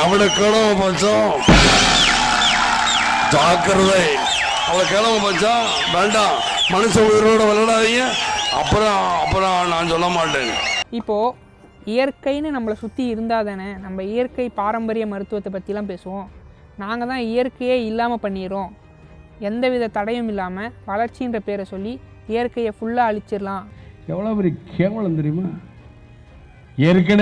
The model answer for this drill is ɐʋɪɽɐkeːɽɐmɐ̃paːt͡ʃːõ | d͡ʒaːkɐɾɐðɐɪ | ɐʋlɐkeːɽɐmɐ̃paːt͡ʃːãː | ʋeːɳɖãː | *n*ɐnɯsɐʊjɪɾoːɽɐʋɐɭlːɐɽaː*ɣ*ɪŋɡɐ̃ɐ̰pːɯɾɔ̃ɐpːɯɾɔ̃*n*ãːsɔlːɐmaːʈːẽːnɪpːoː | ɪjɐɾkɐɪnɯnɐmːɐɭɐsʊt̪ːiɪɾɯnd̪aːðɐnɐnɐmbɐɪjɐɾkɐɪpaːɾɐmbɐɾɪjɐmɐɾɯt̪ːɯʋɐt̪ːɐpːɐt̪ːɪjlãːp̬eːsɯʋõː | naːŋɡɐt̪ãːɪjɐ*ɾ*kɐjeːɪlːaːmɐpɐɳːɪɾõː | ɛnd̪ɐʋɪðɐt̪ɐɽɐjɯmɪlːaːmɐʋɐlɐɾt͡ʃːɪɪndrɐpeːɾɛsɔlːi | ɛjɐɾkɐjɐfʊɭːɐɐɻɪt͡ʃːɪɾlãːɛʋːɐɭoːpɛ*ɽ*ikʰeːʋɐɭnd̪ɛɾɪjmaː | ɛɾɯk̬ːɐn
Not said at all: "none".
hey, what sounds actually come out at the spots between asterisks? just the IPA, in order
m, ð, n, ɾ, ɾ

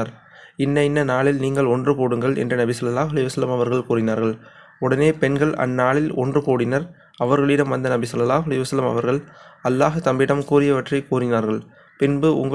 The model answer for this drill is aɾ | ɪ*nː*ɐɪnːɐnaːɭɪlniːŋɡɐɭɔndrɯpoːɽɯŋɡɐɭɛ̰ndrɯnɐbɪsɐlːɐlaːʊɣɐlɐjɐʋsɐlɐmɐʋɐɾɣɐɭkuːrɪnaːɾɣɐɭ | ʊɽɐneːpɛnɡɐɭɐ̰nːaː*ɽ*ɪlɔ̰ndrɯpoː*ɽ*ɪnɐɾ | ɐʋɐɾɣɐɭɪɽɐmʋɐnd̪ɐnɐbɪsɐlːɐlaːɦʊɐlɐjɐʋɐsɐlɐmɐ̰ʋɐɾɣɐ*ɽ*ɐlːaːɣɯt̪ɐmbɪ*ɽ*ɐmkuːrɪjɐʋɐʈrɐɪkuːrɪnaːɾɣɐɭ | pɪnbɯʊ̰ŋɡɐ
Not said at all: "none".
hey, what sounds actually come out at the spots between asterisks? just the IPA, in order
nː, ɭ, ɽ, ɭ, ɽ

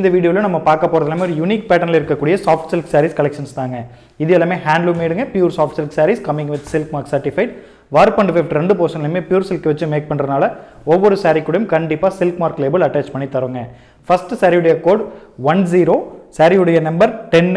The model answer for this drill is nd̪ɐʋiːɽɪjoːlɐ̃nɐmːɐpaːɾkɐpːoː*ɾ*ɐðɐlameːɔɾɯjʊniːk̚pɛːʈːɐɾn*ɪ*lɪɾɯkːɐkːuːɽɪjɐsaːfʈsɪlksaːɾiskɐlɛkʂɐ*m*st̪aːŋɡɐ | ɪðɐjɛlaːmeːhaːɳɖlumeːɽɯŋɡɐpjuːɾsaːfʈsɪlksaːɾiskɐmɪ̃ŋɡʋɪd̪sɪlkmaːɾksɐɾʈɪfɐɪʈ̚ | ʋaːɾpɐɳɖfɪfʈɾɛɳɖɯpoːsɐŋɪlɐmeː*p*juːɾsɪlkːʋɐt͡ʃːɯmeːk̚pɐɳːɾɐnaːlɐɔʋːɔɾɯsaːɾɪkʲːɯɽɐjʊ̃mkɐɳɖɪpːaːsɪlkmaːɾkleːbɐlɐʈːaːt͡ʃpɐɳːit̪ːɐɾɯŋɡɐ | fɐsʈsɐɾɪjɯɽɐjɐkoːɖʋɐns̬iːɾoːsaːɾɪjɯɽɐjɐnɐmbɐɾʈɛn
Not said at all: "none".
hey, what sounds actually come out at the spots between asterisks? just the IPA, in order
ɾ, ɪ, n, p

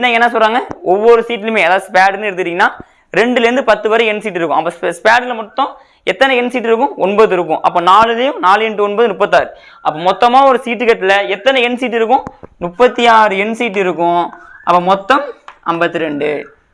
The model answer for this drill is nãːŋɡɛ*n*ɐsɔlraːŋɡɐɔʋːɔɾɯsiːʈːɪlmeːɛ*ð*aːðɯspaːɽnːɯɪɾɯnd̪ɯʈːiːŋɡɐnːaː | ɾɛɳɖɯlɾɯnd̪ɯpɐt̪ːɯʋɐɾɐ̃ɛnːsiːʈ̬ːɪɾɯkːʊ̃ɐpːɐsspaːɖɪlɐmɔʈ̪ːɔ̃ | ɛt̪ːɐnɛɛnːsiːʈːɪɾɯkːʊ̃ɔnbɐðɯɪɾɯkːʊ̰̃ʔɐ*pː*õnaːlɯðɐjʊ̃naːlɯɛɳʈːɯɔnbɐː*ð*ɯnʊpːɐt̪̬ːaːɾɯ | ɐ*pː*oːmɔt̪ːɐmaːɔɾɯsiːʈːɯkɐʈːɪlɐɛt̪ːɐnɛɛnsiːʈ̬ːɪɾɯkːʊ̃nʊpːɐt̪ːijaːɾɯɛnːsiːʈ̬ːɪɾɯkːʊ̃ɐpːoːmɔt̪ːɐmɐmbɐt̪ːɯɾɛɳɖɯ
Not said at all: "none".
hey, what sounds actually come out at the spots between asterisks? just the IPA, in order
nː, ð, pː, ð, pː

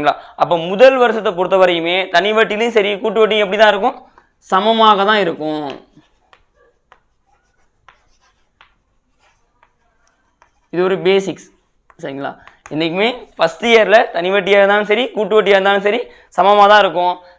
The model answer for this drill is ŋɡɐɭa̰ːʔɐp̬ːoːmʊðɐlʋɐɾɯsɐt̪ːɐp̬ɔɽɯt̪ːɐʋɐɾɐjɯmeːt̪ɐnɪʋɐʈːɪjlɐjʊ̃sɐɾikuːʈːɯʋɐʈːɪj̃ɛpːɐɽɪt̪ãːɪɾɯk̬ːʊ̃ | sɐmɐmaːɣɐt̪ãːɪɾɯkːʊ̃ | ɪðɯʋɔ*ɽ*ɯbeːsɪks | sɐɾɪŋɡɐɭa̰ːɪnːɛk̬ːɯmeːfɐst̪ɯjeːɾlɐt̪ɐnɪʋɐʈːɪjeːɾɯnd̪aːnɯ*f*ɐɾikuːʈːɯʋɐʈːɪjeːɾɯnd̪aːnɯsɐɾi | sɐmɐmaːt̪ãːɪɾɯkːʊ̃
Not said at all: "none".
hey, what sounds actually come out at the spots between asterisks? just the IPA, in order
ɾ, s

